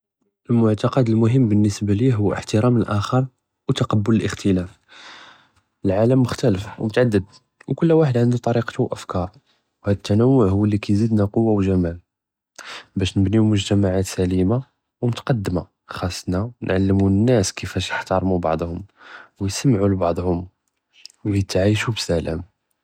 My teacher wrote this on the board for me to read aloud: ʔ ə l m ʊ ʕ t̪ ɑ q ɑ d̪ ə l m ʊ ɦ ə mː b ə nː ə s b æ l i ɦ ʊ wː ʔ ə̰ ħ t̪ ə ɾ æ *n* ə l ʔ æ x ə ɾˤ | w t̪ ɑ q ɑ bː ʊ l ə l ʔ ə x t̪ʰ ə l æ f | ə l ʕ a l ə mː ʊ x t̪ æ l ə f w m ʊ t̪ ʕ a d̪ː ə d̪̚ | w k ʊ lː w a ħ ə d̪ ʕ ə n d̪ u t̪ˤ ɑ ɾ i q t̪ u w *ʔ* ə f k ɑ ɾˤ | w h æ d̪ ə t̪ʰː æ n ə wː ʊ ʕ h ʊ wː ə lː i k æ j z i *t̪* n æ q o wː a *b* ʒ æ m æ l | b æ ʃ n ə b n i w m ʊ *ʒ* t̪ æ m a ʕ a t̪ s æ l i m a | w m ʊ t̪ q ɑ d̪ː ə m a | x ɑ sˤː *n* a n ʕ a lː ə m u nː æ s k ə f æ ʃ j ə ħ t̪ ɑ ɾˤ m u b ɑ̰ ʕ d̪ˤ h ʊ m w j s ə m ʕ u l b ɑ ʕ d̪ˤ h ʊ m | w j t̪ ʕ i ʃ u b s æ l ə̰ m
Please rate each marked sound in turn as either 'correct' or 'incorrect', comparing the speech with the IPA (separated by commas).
incorrect, correct, incorrect, incorrect, correct, correct